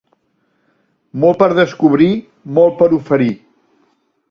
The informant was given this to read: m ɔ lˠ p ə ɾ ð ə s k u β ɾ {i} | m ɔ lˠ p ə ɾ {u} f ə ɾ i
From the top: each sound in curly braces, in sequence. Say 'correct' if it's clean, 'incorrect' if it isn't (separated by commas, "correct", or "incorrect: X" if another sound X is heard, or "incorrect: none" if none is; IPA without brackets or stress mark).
correct, correct